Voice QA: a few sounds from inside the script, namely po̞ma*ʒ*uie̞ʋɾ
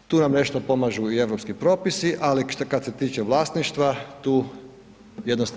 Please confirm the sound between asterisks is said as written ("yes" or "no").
yes